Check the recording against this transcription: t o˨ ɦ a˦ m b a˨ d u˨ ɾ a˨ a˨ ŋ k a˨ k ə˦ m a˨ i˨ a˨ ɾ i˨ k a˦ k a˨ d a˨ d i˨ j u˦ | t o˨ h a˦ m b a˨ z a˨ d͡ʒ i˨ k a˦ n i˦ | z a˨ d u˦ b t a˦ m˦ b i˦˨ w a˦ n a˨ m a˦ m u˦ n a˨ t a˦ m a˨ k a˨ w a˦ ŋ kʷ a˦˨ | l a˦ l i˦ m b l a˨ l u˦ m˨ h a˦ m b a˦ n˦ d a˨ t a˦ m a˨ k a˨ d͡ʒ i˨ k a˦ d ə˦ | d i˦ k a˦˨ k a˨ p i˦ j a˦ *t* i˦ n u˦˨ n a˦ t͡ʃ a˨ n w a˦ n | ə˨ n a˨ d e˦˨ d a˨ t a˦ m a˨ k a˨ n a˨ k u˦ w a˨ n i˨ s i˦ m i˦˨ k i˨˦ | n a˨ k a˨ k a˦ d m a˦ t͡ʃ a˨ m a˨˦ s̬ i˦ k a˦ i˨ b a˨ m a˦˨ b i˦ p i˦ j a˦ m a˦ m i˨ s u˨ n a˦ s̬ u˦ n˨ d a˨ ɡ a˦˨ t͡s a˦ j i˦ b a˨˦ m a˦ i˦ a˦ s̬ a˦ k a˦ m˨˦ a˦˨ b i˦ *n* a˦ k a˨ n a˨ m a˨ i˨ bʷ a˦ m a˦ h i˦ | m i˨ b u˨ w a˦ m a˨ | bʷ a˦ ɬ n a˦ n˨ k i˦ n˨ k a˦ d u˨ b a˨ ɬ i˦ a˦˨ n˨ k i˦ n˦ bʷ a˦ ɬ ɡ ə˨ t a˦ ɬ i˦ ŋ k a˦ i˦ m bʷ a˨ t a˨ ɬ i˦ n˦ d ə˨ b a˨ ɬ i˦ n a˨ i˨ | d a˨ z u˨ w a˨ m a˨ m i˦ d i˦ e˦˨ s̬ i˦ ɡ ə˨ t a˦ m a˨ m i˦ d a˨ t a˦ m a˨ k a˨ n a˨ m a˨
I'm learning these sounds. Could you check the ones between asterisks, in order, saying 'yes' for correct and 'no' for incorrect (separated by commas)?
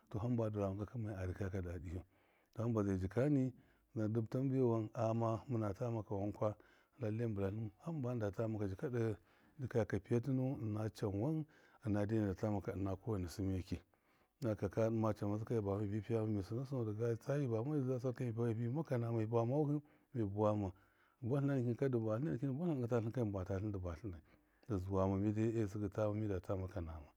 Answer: yes, no